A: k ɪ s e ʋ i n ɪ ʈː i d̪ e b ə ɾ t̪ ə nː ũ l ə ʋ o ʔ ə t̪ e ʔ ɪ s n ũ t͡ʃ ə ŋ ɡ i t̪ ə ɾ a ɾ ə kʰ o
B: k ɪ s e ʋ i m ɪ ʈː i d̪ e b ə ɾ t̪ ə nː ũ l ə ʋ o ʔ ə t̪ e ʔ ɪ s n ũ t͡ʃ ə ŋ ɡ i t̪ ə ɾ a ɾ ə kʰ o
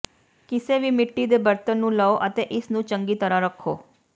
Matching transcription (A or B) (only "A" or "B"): B